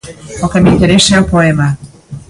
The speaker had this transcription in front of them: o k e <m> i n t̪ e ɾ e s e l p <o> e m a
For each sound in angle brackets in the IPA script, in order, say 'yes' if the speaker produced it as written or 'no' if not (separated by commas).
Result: yes, yes